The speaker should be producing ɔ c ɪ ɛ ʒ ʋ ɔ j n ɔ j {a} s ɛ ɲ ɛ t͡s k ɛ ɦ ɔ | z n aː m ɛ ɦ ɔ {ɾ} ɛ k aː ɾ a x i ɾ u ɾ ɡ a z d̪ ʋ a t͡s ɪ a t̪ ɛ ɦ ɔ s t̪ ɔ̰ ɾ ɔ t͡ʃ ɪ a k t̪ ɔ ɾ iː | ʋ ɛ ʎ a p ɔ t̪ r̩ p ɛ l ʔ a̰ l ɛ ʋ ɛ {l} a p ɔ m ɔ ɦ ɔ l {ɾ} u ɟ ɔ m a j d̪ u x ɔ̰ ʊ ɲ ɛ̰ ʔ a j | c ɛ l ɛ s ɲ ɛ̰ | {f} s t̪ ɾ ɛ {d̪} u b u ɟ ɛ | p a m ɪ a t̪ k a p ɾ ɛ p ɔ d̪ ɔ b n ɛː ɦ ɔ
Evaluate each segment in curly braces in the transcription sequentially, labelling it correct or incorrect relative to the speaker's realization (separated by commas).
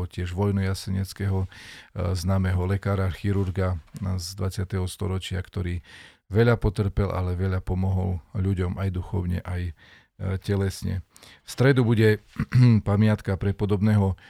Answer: correct, incorrect, incorrect, incorrect, correct, correct